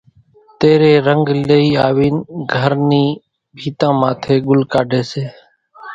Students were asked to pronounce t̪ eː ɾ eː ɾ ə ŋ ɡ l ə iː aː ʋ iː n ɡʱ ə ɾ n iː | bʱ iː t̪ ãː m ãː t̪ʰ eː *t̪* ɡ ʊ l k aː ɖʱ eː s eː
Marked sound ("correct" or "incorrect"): incorrect